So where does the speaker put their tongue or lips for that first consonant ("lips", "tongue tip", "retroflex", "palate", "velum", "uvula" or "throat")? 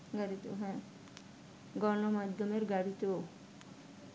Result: velum